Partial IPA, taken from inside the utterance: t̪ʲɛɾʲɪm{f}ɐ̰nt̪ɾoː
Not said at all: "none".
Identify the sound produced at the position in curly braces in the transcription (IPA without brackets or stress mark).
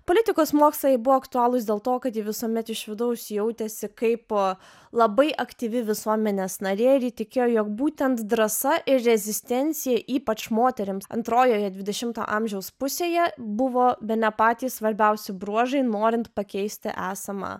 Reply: s